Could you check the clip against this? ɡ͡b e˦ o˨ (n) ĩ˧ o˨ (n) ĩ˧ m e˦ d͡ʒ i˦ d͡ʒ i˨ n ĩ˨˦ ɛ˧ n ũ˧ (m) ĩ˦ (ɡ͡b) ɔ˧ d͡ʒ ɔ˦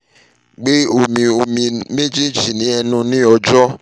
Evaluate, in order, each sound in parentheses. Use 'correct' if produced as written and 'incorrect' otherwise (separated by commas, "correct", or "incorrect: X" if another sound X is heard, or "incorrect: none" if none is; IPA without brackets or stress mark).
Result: incorrect: m, incorrect: m, incorrect: n, incorrect: none